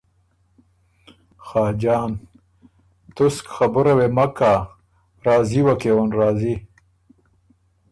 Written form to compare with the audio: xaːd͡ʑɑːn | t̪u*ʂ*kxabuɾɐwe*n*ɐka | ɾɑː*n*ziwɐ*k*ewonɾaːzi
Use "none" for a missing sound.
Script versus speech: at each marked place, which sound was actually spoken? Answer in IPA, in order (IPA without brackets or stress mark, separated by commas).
s, m, none, k